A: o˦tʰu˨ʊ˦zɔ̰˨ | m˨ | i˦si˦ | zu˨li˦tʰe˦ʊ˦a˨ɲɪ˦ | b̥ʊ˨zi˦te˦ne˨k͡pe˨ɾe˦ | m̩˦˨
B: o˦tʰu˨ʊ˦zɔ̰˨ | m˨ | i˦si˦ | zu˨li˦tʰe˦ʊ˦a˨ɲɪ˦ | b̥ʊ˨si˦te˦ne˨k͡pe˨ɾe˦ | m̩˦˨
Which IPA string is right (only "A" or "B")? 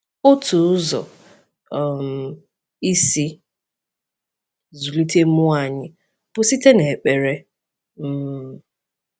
B